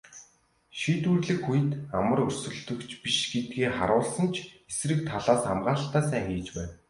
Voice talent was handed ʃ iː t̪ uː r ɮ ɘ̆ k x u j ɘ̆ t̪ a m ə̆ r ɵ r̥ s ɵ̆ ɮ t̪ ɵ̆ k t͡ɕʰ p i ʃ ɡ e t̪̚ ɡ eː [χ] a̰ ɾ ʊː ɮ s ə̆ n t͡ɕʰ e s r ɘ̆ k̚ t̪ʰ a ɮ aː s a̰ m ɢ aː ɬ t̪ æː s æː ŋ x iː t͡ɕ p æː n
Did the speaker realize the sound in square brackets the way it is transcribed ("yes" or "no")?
yes